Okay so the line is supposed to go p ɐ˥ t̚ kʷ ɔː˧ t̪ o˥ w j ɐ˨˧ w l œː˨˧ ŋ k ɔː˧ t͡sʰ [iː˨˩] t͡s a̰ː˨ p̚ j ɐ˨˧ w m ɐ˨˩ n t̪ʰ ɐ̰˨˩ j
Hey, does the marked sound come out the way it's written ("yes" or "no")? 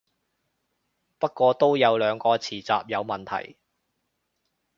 yes